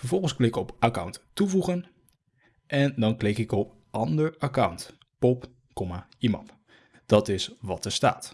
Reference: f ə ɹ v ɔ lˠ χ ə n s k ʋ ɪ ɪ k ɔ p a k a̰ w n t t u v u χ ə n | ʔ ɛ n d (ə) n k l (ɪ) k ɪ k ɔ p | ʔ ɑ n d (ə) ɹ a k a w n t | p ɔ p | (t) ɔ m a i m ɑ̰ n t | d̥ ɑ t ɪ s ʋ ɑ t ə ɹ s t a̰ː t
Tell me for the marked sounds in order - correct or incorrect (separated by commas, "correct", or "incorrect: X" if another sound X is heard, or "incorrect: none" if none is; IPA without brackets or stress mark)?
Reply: incorrect: ɑ, correct, correct, incorrect: k